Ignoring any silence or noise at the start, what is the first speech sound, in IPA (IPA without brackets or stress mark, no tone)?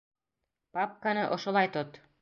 p